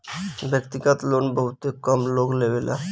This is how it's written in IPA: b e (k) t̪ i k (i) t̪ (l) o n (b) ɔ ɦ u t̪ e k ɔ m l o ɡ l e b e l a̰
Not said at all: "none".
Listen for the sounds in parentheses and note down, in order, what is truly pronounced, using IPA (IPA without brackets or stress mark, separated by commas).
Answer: k, a, l, b